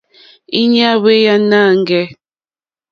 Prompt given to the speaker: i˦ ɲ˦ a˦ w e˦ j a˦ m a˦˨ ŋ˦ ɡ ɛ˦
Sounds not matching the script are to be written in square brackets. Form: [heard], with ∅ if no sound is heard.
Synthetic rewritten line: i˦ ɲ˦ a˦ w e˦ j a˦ [n] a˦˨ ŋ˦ ɡ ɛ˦